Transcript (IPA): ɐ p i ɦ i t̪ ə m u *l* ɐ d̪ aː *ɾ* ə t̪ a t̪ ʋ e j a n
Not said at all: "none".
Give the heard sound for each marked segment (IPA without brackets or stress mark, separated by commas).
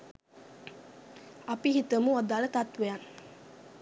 none, l